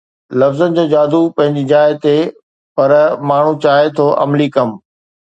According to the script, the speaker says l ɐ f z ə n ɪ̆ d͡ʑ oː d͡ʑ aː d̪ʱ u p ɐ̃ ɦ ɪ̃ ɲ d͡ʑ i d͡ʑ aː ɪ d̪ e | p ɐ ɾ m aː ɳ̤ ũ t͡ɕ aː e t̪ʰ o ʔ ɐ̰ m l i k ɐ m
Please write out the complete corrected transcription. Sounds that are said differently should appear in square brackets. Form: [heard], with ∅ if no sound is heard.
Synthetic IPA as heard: l ɐ f z ə n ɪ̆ d͡ʑ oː d͡ʑ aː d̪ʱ u p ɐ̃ ɦ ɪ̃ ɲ d͡ʑ i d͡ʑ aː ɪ [t̪] e | p ɐ ɾ m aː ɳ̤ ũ t͡ɕ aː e t̪ʰ o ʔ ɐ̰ m l i k ɐ m